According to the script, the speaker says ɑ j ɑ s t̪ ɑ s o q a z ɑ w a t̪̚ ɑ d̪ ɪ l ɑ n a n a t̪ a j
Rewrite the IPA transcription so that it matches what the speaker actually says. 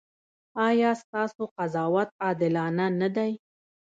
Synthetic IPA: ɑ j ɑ s t̪ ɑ s o q a z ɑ w a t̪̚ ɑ d̪ ɪ l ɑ n a n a d̪ a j